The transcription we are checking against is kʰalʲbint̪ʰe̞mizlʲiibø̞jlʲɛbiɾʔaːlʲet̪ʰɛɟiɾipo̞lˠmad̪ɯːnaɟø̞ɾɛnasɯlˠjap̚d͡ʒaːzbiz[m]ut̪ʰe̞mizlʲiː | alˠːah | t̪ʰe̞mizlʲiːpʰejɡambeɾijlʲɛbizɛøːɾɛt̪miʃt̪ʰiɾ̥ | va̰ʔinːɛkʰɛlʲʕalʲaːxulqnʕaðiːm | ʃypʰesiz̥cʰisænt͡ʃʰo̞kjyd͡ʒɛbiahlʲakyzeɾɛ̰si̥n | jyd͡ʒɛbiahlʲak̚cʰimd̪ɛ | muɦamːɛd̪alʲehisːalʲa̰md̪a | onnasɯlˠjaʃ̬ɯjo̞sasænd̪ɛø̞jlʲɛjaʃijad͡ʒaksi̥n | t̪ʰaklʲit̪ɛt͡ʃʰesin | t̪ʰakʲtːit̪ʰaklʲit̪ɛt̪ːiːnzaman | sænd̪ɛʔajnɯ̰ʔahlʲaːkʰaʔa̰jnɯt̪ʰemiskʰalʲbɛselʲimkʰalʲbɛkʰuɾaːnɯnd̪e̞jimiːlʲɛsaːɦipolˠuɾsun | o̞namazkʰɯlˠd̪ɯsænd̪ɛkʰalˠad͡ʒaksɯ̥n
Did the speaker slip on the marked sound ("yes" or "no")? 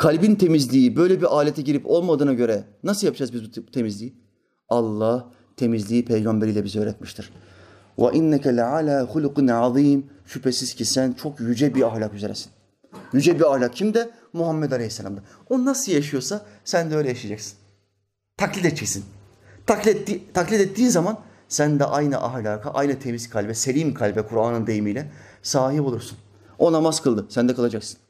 yes